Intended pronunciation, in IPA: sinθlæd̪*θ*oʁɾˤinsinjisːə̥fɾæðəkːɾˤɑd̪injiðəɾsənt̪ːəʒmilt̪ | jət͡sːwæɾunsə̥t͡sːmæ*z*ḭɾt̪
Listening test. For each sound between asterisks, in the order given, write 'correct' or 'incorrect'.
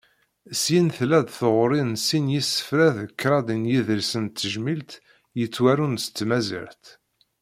correct, correct

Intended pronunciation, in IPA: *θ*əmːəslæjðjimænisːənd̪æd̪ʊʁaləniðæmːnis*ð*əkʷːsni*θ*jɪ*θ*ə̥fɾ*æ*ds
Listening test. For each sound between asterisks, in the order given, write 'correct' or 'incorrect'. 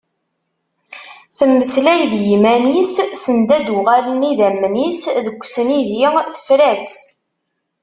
correct, correct, incorrect, correct, correct

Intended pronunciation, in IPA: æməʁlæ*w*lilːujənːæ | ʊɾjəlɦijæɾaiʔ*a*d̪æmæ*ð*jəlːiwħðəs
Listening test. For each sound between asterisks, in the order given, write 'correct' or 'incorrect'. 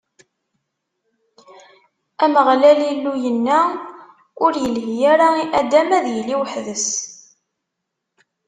incorrect, incorrect, correct

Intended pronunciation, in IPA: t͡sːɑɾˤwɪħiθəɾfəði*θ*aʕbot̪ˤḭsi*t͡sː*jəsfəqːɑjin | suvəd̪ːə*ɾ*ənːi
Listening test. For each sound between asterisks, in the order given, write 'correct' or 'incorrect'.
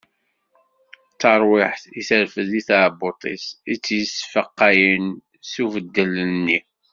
correct, correct, incorrect

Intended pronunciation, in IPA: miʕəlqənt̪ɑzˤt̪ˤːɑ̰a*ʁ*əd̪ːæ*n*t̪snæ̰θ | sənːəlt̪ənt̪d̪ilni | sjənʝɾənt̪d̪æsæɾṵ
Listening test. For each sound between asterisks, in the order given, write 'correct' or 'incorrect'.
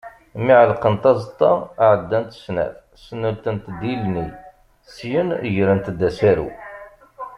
incorrect, correct

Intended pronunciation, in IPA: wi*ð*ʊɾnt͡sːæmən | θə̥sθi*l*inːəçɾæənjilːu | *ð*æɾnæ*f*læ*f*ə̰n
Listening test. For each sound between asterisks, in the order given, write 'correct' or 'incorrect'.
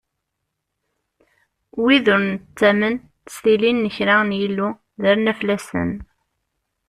correct, correct, correct, correct, incorrect

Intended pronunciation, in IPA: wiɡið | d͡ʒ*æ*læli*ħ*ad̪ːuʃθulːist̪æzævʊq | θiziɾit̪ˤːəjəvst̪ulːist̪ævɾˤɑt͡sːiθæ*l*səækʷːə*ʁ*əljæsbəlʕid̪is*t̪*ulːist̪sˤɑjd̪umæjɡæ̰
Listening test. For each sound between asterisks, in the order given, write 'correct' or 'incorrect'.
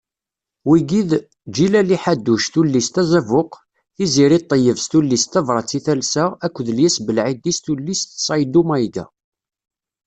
incorrect, correct, correct, incorrect, correct

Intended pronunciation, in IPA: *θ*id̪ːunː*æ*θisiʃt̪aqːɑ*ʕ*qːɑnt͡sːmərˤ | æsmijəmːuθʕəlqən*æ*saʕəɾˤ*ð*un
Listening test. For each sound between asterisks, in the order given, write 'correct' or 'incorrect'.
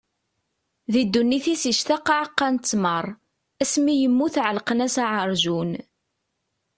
incorrect, incorrect, correct, correct, incorrect

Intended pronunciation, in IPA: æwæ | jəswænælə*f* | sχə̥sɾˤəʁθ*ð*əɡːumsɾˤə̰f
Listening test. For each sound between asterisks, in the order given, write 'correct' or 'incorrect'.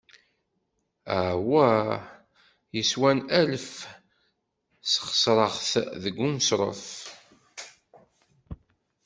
correct, correct

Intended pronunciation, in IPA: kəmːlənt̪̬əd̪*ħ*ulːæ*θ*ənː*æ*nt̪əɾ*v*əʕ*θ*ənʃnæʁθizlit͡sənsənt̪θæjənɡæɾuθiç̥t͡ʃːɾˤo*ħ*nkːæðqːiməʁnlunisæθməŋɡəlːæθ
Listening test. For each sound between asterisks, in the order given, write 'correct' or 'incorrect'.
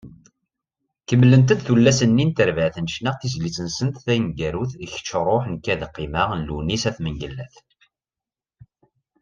incorrect, incorrect, incorrect, correct, correct, correct

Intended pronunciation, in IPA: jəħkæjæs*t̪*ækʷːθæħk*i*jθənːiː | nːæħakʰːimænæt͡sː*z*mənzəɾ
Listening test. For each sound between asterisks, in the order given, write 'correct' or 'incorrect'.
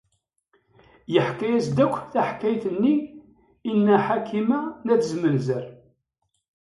incorrect, incorrect, correct

